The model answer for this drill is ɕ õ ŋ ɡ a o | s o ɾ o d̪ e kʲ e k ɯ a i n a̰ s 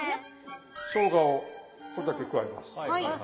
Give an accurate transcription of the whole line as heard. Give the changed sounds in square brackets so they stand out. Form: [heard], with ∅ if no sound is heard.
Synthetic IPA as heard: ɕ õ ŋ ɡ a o | s o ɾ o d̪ [a] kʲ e k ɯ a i [m] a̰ s